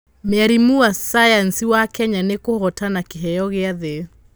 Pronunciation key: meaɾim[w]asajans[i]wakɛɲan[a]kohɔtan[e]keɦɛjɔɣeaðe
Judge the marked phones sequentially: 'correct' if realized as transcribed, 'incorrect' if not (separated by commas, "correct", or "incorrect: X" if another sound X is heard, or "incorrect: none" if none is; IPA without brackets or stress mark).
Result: incorrect: u, correct, incorrect: e, incorrect: a